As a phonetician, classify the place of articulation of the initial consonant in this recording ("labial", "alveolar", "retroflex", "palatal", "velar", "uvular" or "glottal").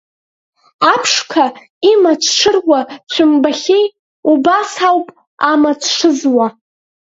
labial